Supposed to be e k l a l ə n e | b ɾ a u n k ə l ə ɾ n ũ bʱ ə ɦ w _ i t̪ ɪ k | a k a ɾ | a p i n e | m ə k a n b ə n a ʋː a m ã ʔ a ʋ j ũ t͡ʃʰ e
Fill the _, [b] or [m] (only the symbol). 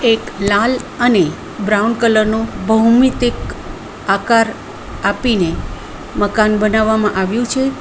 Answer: m